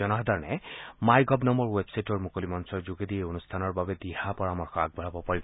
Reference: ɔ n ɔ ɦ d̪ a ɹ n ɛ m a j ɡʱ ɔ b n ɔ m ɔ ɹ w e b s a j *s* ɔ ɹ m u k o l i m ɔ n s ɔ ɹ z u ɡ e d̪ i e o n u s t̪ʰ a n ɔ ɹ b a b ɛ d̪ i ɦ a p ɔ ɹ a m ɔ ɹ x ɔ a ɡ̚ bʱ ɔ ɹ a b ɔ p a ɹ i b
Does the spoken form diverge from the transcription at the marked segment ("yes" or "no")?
yes